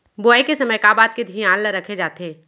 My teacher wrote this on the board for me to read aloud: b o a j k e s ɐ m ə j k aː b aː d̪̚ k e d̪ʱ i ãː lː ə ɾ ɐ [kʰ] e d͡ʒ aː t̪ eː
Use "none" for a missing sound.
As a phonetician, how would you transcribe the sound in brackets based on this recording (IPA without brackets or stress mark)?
kʰ